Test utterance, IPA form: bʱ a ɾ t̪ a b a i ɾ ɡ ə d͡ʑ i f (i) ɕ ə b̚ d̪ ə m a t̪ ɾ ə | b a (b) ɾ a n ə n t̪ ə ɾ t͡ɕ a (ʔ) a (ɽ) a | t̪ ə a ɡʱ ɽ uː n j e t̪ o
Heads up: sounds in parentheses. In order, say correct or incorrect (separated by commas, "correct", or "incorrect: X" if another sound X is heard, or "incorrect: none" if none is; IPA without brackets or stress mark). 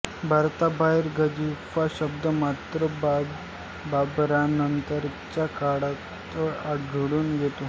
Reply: incorrect: a, correct, incorrect: k, correct